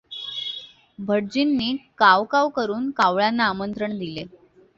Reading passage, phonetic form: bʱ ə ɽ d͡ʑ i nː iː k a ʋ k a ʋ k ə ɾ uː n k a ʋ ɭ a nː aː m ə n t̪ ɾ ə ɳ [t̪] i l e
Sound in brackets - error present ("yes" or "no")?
yes